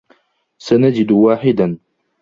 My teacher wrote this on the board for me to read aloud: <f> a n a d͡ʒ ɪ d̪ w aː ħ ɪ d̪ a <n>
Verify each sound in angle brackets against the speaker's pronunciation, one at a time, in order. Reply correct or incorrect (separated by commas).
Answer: incorrect, correct